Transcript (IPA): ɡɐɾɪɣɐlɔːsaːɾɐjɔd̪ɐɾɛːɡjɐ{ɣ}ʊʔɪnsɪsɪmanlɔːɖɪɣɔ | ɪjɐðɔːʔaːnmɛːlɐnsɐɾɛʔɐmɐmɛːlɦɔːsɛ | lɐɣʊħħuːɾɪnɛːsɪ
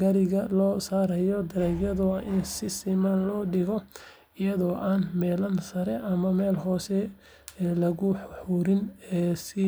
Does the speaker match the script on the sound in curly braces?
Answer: no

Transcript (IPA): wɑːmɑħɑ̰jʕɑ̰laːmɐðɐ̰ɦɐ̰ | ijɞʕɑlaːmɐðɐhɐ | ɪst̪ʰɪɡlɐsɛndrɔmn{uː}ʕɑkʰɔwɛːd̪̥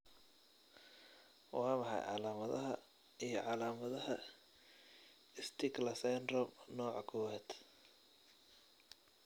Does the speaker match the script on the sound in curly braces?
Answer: no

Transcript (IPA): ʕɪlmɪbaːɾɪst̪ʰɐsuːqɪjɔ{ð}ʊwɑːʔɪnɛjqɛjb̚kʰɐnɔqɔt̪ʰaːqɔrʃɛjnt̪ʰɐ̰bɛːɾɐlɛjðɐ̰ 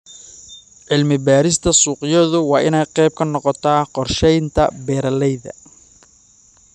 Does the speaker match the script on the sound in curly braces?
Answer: yes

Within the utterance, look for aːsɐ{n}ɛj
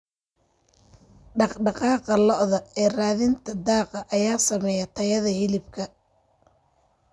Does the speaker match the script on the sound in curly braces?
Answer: no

